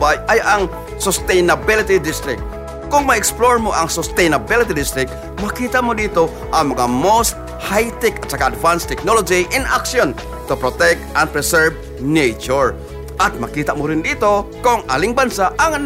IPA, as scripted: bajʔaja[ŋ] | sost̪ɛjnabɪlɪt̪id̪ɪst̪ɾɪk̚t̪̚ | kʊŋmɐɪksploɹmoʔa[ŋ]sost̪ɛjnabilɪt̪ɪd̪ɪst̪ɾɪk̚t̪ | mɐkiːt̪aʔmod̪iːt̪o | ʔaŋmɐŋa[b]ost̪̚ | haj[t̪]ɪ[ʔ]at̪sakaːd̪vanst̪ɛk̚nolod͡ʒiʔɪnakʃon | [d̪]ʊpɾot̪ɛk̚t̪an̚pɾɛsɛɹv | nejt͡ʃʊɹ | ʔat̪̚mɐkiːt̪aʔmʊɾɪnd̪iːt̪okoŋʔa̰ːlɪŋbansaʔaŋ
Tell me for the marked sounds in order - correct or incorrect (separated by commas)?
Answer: correct, correct, incorrect, correct, incorrect, incorrect